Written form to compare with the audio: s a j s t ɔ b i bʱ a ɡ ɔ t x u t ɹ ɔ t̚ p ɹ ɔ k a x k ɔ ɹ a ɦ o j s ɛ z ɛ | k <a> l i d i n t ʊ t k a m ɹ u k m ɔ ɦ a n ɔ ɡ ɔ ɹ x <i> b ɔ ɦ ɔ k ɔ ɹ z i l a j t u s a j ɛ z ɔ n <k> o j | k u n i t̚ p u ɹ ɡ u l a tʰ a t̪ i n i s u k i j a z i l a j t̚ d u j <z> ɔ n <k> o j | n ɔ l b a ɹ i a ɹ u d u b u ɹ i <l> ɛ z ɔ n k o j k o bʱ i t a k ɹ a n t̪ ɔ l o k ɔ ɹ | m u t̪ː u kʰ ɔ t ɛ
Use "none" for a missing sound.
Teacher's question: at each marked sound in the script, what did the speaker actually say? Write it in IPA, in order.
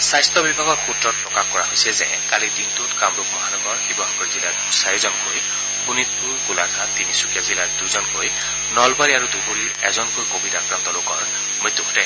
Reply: a, i, k, z, k, ɹ

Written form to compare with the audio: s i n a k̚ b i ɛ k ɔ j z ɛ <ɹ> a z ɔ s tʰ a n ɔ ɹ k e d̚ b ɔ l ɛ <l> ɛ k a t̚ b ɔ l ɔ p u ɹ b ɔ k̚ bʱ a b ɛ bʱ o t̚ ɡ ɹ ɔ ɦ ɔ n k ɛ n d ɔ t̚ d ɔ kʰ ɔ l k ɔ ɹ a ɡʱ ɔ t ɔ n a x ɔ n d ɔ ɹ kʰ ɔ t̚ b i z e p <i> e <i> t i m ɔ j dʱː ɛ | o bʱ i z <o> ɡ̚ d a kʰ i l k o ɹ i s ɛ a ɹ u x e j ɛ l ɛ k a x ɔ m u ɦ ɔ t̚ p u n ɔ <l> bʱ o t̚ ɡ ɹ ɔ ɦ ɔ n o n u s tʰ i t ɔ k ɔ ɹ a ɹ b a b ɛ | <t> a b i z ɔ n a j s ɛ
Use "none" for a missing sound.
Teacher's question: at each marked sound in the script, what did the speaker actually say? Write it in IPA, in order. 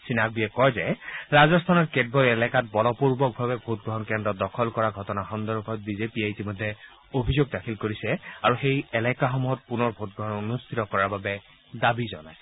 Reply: ɹ, l, i, i, o, ɹ, d

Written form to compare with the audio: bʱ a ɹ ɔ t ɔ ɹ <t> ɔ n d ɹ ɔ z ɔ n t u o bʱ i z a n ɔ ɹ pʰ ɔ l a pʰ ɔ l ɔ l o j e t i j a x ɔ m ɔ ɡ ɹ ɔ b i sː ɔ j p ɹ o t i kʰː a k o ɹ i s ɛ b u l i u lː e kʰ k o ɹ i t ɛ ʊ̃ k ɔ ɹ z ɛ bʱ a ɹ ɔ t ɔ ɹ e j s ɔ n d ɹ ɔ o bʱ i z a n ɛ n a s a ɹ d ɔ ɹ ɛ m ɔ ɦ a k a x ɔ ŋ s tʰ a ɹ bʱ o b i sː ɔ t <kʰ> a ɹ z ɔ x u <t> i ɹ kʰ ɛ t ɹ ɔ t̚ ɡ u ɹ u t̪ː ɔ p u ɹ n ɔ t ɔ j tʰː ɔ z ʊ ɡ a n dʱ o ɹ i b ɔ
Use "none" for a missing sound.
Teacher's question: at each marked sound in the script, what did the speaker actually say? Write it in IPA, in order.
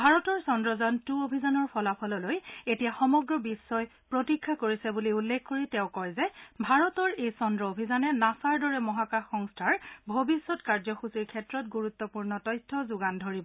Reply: s, k, s

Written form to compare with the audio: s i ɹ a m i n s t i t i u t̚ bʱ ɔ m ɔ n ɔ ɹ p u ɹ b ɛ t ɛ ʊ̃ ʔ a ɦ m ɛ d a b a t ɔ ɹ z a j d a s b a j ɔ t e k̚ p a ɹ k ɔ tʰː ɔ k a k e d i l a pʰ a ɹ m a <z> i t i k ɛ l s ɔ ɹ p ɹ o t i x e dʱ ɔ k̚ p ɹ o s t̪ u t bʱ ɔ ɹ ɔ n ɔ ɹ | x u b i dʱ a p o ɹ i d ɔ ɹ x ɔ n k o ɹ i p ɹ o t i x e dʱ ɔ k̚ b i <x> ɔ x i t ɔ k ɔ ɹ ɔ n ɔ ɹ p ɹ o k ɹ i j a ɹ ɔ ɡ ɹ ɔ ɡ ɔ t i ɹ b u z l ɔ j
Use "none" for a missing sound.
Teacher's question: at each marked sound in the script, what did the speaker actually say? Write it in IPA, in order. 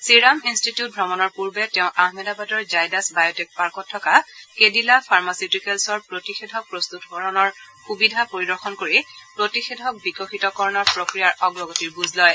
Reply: s, k

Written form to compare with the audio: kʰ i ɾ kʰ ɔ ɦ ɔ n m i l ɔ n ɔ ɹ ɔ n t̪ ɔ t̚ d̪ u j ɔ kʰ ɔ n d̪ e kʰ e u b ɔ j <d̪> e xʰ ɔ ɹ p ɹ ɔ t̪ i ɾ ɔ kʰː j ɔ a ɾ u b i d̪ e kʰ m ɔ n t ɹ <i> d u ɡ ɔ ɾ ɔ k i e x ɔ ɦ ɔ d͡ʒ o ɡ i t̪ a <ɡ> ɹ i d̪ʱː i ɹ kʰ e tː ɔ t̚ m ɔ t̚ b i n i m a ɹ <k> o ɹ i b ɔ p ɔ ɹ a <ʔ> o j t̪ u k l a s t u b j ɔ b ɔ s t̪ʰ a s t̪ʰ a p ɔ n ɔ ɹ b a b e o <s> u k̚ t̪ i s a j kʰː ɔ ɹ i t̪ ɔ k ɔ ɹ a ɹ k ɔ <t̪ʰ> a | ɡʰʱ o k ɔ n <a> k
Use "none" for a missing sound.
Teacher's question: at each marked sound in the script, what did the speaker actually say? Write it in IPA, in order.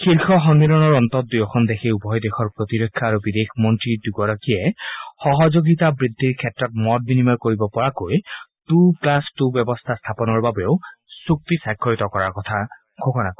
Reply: d̪, i, b, k, k, s, t̪ʰ, a

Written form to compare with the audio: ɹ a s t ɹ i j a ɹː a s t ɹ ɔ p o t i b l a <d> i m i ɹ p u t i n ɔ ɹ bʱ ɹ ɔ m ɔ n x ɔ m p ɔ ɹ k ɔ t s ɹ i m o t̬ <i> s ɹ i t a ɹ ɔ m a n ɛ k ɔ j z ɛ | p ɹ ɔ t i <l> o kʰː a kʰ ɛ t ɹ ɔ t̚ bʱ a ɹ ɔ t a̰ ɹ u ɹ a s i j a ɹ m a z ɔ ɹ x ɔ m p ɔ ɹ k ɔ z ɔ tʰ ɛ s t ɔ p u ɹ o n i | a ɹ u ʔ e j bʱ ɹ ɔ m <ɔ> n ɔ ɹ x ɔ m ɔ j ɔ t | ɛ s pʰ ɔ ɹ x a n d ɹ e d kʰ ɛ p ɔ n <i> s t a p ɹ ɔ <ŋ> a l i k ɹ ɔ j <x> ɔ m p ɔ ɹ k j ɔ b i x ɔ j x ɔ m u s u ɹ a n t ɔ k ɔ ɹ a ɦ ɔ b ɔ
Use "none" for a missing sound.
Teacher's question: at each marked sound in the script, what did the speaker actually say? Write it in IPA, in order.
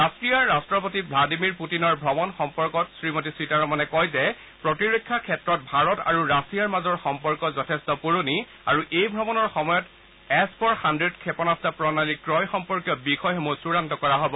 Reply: d, i, ɹ, ɔ, a, n, x

